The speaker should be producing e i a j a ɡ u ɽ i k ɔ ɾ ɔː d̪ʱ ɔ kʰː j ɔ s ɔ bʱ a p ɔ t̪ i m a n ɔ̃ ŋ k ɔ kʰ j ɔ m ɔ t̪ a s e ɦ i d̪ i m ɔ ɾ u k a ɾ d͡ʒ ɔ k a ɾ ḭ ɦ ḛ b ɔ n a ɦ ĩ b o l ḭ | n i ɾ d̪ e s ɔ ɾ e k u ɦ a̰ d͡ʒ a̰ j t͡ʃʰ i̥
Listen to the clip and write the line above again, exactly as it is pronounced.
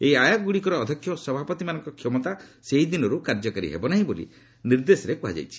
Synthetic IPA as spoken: e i a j a ɡ u ɽ i k ɔ ɾ ɔː d̪ʱ ɔ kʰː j ɔ s ɔ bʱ a p ɔ t̪ i m a n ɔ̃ ŋ k ɔ kʰ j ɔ m ɔ t̪ a s e ɦ i d̪ i n ɔ ɾ u k a ɾ d͡ʒ ɔ k a ɾ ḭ ɦ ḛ b ɔ n a ɦ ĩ b o l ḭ | n i ɾ d̪ e s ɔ ɾ e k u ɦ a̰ d͡ʒ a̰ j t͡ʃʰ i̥

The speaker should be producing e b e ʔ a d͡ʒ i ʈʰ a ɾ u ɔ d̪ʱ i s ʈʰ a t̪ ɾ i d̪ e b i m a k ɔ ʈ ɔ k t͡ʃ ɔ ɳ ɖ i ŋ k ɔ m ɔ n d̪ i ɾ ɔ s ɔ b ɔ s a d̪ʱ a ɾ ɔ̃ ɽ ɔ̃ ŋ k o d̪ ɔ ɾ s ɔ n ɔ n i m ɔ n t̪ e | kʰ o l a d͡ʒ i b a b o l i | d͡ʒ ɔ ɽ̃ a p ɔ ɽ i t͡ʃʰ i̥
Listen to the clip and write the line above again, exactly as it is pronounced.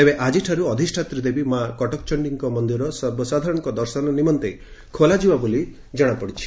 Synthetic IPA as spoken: e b e ʔ a d͡ʒ i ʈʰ a ɾ u ɔ d̪ʱ i s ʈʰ a t̪ ɾ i d̪ e b i m a k ɔ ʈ ɔ k t͡ʃ ɔ ɳ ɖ i ŋ k ɔ m ɔ n d̪ i ɾ ɔ s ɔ b ɔ s a d̪ʱ a ɾ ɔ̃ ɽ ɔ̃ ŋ k ɔ d̪ ɔ ɾ s ɔ n ɔ n i m ɔ n t̪ e | kʰ o l a d͡ʒ i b a b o l i | d͡ʒ ɔ ɽ̃ a p ɔ ɽ i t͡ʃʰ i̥

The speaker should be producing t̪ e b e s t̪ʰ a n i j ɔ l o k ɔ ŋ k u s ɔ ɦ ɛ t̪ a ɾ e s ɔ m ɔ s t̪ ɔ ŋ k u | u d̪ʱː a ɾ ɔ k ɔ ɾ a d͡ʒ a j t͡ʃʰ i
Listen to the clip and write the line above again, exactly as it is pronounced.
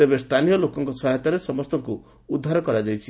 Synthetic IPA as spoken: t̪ e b e s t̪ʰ a n i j ɔ l o k ɔ ŋ k ɔ s ɔ ɦ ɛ t̪ a ɾ e s ɔ m ɔ s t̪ ɔ ŋ k u | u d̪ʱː a ɾ ɔ k ɔ ɾ a d͡ʒ a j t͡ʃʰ i

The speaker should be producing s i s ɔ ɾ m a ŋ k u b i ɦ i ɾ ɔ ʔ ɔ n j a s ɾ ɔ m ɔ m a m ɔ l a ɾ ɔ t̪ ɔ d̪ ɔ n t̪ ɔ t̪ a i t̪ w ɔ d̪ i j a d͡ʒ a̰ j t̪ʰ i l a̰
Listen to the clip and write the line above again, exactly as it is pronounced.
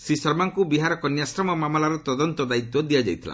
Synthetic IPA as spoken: s i s ɔ ɾ m a ŋ k u b i ɦ a ɾ ɔ k ɔ n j a s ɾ ɔ m ɔ m a m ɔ l a ɾ ɔ t̪ ɔ d̪ ɔ n t̪ ɔ d̪ a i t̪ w ɔ d̪ i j a d͡ʒ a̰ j t̪ʰ i l a̰

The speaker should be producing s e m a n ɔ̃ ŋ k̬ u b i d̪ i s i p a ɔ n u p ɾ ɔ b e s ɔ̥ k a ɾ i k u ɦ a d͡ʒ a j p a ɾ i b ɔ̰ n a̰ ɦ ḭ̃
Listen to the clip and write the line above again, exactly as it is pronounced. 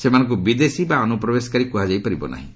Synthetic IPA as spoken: s e m a n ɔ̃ ŋ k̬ u b i d̪ e s i b a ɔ n u p ɾ ɔ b e s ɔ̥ k a ɾ i k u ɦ a d͡ʒ a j p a ɾ i b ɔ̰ n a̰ ɦ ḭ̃

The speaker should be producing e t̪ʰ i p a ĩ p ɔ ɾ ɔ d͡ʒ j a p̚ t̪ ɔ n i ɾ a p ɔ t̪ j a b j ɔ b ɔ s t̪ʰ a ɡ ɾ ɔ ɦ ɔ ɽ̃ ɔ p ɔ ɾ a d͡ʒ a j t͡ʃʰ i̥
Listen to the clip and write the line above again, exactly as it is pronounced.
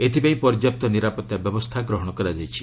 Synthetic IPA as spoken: e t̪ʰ i p a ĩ p ɔ ɾ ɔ d͡ʒ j a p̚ t̪ ɔ n i ɾ a p ɔ t̪ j a b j ɔ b ɔ s t̪ʰ a ɡ ɾ ɔ ɦ ɔ ɽ̃ ɔ k ɔ ɾ a d͡ʒ a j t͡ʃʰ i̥

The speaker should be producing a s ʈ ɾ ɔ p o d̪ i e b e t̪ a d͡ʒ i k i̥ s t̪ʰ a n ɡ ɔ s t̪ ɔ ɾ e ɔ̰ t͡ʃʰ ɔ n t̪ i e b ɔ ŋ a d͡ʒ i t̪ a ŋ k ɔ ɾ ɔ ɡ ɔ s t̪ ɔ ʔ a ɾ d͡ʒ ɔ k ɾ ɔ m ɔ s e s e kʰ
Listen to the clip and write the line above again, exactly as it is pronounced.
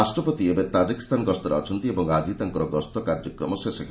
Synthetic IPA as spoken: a s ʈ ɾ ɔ p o t̪ i e b e t̪ a d͡ʒ i k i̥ s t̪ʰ a n ɡ ɔ s t̪ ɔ ɾ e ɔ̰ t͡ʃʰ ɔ n t̪ i e b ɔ ŋ a d͡ʒ i t̪ a ŋ k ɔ ɾ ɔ ɡ ɔ s t̪ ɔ k a ɾ d͡ʒ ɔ k ɾ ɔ m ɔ s e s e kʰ

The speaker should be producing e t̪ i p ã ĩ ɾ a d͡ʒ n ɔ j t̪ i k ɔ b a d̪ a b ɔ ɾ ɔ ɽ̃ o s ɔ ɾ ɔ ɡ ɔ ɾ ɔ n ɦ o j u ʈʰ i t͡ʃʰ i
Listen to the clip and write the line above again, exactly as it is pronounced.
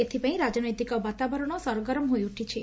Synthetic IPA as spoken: e t̪ʰ i p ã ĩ ɾ a d͡ʒ n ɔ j t̪ i k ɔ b a t̪ a b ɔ ɾ ɔ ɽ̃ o s ɔ ɾ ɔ ɡ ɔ ɾ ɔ m ɦ o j u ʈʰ i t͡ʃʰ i

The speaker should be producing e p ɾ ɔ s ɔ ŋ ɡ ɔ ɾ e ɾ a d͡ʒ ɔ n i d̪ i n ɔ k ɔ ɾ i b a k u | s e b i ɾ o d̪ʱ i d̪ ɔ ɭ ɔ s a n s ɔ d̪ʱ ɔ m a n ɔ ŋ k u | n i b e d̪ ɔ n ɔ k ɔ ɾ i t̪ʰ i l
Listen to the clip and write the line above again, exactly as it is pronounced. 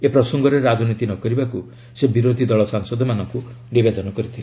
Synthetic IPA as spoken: e p ɾ ɔ s ɔ ŋ ɡ ɔ ɾ e ɾ a d͡ʒ ɔ n i t̪ i n ɔ k ɔ ɾ i b a k u | s e b i ɾ o d̪ʱ i d̪ ɔ ɭ ɔ s a ŋ s ɔ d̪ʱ ɔ m a n ɔ ŋ k u | n i b e d̪ ɔ n ɔ k ɔ ɾ i t̪ʰ i l

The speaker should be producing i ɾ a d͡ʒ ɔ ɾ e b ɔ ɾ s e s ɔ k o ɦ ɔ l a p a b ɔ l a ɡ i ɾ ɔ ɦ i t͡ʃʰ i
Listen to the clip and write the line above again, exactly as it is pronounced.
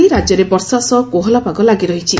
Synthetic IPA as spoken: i ɾ a d͡ʒ ɔ ɾ e b ɔ ɾ s a s ɔ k o ɦ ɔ l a p a ɡ ɔ l a ɡ i ɾ ɔ ɦ i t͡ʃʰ i

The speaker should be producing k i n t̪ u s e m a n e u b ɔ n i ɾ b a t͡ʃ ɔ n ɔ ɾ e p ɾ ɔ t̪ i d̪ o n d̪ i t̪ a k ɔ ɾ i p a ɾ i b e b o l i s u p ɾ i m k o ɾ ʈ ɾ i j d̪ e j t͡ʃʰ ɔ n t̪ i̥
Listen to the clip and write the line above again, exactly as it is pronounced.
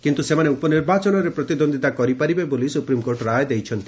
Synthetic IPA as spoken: k i n t̪ u s e m a n e u p ɔ n i ɾ b a t͡ʃ ɔ n ɔ ɾ e p ɾ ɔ t̪ i d̪ o n d̪ i t̪ a k ɔ ɾ i p a ɾ i b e b o l i s u p ɾ i m k o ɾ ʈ ɾ a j d̪ e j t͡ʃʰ ɔ n t̪ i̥

